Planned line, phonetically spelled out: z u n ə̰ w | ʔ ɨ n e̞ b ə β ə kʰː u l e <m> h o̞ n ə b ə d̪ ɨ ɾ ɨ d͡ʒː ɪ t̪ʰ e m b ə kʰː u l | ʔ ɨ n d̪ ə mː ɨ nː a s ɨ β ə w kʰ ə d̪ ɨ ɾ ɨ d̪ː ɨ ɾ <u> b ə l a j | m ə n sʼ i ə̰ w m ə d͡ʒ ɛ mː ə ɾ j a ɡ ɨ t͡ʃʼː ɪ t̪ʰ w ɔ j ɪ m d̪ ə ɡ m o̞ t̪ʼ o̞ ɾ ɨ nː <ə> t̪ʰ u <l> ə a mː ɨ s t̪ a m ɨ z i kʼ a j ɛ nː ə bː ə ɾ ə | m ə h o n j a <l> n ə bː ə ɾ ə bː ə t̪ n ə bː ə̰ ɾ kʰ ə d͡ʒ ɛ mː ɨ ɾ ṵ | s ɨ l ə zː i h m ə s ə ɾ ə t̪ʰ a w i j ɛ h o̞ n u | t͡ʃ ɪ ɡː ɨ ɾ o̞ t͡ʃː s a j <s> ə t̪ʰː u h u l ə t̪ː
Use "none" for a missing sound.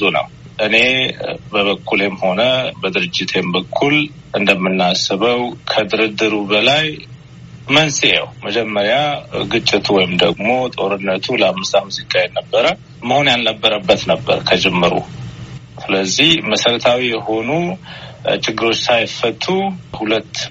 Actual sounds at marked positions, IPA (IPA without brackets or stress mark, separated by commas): m, u, ə, l, l, f